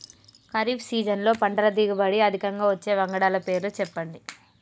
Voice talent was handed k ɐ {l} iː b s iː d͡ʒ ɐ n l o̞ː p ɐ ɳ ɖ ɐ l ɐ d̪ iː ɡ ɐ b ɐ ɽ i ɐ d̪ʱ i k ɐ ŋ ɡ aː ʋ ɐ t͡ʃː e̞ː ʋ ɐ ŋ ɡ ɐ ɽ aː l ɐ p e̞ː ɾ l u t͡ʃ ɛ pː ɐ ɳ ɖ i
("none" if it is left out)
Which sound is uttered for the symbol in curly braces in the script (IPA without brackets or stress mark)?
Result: ɾ